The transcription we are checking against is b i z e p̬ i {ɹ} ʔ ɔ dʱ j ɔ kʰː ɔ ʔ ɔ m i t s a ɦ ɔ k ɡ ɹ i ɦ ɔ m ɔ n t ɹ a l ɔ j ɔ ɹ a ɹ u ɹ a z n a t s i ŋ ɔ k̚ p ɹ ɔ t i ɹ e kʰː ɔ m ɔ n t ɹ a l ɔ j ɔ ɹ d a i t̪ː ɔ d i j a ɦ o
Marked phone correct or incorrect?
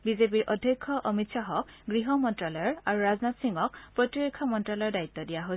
correct